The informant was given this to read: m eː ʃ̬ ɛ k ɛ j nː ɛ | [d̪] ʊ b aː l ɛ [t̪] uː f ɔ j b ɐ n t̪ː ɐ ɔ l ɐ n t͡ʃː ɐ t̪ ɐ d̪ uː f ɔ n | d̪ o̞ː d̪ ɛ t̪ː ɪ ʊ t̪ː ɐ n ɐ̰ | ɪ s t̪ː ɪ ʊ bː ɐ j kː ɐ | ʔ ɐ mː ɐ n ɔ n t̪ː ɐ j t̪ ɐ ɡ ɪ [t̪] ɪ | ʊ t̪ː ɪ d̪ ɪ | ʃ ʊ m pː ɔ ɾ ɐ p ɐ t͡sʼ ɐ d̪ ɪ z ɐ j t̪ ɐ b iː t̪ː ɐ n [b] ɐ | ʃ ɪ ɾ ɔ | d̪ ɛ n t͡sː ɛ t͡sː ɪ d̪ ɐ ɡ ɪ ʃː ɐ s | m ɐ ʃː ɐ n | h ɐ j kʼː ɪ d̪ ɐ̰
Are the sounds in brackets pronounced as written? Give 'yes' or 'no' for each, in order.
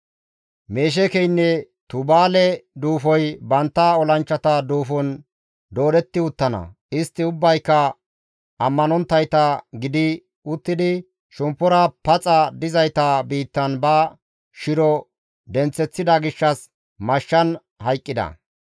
no, no, no, yes

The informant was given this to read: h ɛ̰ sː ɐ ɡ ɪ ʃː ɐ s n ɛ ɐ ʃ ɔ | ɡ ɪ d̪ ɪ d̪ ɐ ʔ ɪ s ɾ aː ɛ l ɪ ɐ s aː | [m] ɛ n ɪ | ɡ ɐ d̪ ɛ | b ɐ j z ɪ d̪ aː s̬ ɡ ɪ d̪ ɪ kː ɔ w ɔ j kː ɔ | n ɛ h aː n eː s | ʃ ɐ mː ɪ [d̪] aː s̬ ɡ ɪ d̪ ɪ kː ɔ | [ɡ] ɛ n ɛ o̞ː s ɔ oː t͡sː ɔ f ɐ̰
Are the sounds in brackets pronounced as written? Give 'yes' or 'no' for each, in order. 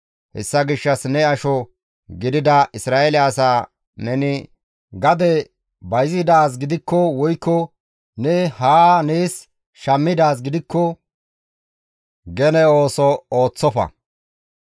no, yes, yes

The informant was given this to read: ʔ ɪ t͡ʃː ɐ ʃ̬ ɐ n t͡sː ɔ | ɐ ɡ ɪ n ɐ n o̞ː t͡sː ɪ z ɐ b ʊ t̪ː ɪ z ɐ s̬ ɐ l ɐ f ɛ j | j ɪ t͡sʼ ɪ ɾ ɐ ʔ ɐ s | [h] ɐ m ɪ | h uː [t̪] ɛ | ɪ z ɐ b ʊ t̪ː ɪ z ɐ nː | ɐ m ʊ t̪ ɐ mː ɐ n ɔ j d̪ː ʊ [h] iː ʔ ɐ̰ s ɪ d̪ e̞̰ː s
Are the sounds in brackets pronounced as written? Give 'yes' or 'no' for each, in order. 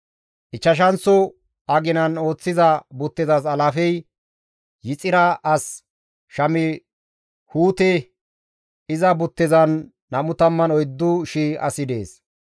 no, yes, no

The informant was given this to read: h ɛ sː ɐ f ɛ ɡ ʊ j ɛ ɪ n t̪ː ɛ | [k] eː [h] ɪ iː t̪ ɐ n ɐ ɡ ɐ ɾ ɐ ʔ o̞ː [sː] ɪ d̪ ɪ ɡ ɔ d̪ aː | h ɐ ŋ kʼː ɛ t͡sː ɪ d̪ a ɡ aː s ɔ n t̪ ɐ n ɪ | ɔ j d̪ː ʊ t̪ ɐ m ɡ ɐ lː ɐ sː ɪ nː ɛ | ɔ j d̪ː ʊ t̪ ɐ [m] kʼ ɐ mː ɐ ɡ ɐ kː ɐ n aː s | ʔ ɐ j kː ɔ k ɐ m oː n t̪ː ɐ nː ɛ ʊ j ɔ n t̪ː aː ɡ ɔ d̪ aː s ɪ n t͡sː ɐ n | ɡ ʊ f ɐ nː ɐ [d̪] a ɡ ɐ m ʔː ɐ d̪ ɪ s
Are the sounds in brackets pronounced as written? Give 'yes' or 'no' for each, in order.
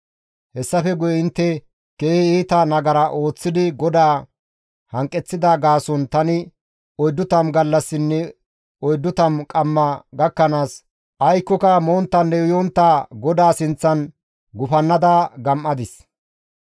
yes, yes, no, yes, yes

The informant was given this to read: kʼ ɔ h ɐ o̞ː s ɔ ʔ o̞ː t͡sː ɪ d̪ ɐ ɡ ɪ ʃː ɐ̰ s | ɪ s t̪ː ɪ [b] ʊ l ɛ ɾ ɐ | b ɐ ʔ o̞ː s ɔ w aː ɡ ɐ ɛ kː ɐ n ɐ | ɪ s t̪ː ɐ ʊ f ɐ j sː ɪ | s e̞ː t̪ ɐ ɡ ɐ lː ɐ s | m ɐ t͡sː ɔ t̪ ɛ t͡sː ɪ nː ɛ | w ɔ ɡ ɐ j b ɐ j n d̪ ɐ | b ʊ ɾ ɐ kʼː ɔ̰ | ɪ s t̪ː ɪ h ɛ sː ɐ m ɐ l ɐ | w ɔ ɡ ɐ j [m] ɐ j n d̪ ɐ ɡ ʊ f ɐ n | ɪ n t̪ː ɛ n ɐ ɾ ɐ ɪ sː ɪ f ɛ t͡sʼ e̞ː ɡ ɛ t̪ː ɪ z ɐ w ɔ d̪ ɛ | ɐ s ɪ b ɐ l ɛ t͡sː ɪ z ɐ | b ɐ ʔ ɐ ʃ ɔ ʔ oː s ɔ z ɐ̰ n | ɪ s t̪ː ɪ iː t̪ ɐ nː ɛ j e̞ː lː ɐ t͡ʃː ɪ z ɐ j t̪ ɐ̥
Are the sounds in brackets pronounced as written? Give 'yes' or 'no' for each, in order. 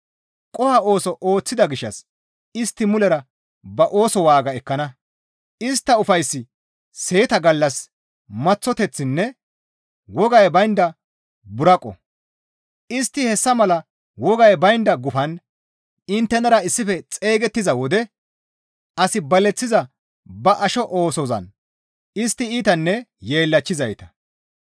no, no

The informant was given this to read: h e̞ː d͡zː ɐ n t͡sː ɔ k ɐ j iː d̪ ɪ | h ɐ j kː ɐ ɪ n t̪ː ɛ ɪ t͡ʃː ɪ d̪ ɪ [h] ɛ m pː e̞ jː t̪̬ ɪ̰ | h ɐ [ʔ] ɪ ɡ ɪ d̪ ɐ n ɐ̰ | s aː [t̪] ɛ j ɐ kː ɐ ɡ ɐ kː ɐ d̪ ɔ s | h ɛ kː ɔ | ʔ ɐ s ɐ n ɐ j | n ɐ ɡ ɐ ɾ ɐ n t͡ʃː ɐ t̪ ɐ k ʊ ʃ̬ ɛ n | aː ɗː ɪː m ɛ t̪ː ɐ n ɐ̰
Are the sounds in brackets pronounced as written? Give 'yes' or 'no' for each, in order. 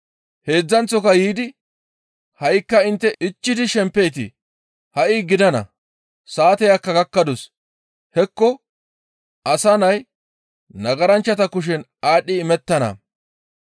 no, yes, yes

